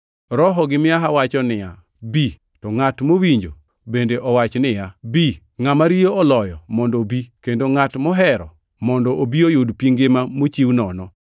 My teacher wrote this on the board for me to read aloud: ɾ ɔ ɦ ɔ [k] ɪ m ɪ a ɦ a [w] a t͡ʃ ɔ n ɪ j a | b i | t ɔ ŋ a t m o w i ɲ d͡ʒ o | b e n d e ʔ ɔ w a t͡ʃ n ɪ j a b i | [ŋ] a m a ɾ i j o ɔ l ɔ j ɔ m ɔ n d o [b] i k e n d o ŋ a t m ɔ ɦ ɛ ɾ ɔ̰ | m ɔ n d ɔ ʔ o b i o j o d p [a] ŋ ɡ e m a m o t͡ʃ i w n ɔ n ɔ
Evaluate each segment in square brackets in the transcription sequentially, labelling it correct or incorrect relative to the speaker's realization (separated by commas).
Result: incorrect, correct, correct, correct, incorrect